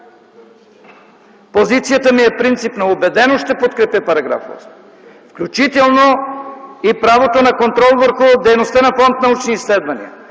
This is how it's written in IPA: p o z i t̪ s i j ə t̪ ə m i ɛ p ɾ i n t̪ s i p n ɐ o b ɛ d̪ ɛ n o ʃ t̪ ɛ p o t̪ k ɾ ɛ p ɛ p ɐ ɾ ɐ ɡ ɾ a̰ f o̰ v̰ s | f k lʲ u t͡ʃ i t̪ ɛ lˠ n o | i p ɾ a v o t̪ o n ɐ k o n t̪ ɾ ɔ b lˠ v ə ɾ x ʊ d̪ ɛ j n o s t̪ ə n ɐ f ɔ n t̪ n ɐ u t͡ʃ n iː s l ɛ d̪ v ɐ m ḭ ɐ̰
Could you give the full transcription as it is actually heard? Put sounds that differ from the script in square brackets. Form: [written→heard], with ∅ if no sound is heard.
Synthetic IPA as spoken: p o z i t̪ s i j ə t̪ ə m i ɛ p ɾ i n t̪ s i p n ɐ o b ɛ d̪ ɛ n o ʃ t̪ ɛ p o t̪ k ɾ ɛ p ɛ p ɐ ɾ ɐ ɡ ɾ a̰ f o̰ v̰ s | f k lʲ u t͡ʃ i t̪ ɛ lˠ n o | i p ɾ a v o t̪ o n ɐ k o n t̪ ɾ ɔ [b→∅] lˠ v ə ɾ x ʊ d̪ ɛ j n o s t̪ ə n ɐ f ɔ n t̪ n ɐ u t͡ʃ n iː s l ɛ d̪ v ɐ [m→n] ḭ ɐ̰